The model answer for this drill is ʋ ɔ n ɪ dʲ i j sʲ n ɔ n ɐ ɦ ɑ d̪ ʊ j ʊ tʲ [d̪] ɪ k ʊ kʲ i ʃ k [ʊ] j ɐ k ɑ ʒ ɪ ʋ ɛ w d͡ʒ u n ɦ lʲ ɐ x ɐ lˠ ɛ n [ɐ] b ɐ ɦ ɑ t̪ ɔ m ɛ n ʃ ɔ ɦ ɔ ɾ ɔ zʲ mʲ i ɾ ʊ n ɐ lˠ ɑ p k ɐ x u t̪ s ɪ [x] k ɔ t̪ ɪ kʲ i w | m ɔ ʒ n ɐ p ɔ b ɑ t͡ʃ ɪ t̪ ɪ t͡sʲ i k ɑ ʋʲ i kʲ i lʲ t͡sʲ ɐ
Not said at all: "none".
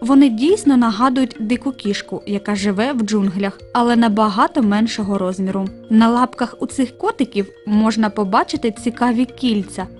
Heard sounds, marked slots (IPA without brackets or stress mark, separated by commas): d̪, ʊ, ɐ, x